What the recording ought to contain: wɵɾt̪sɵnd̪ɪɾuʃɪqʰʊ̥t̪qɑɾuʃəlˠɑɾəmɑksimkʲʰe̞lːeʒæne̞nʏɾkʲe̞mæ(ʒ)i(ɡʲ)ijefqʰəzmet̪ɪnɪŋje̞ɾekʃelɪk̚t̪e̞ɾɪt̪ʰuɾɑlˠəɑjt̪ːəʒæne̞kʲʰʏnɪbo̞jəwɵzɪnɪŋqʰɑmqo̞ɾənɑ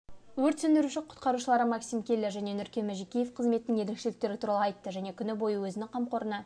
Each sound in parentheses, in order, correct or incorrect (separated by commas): correct, incorrect